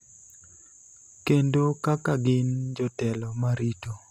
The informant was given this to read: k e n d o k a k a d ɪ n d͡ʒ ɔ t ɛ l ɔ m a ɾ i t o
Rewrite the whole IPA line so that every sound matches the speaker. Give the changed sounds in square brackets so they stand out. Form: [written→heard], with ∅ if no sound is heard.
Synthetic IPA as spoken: k e n d o k a k a [d→ɡ] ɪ n d͡ʒ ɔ t ɛ l ɔ m a ɾ i t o